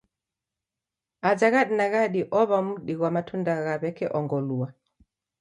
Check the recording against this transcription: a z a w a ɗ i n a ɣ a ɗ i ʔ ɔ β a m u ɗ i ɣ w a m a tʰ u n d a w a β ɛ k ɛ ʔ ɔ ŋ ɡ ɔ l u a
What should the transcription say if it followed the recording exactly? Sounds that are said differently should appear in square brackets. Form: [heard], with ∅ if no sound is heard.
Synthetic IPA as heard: a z a [ɣ] a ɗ i n a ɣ a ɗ i ʔ ɔ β a m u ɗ i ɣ w a m a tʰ u n d a [ɣ] a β ɛ k ɛ ʔ ɔ ŋ ɡ ɔ l u a